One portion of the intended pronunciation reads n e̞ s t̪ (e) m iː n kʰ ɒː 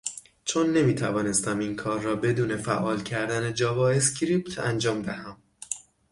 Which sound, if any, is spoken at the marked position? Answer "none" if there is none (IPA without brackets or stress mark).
æ